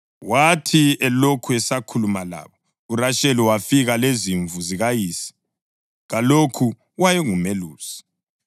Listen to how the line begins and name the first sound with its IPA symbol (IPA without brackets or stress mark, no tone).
w